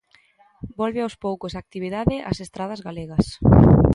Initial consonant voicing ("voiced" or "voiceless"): voiced